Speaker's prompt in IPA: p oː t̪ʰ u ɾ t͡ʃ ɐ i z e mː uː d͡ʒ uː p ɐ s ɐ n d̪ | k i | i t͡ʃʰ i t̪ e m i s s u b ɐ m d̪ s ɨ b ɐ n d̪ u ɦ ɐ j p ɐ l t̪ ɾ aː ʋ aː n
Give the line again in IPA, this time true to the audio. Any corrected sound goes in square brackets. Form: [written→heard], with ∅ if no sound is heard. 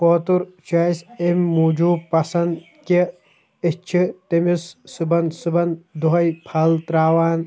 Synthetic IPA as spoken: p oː [t̪ʰ→t̪] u ɾ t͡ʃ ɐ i [z→s] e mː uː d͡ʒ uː p ɐ s ɐ n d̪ | k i | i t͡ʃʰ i t̪ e m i s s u b ɐ [m→n] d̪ s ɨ b ɐ n d̪ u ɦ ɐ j [p→pʰ] ɐ l t̪ ɾ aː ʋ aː n